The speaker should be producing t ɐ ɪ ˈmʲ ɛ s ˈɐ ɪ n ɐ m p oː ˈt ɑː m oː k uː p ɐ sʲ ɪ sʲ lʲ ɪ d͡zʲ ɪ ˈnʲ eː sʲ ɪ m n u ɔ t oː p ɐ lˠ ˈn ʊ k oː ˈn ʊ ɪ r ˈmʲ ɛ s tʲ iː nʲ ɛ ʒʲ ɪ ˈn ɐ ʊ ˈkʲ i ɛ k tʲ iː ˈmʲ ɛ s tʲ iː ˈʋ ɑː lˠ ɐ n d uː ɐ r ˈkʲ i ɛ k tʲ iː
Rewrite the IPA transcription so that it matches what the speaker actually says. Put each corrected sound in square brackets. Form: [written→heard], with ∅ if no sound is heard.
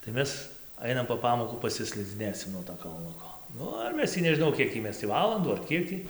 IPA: t ɐ ɪ ˈmʲ ɛ s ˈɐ ɪ n ɐ m p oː [ˈt→ˈp] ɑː m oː k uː p ɐ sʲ ɪ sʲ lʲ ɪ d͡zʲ ɪ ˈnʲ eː sʲ ɪ m n u ɔ t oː [p→k] ɐ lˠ ˈn ʊ k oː ˈn ʊ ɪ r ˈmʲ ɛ s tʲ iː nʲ ɛ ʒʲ ɪ ˈn ɐ ʊ ˈkʲ i ɛ k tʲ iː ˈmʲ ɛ s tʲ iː ˈʋ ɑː lˠ ɐ n d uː ɐ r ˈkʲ i ɛ k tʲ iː